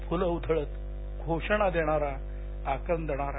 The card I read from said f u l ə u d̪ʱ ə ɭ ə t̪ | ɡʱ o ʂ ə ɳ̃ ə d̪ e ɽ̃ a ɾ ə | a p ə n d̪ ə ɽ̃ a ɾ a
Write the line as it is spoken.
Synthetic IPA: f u l ə u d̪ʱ ə ɭ ə t̪ | ɡʱ o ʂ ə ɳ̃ a d̪ e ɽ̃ a ɾ a | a k ə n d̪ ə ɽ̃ a ɾ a